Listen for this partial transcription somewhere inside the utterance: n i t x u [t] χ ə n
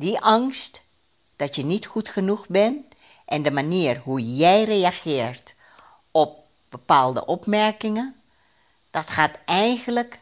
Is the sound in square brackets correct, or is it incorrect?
correct